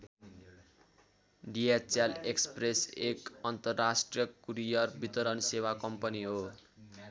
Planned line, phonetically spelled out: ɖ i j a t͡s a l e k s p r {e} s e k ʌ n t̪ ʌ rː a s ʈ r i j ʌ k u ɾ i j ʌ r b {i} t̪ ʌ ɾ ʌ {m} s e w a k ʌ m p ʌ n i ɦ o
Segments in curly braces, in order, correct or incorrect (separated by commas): correct, correct, incorrect